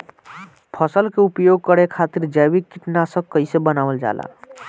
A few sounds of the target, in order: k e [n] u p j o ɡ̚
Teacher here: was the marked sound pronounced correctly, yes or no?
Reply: no